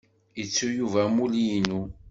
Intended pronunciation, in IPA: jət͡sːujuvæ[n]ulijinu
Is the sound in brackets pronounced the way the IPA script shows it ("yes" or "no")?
no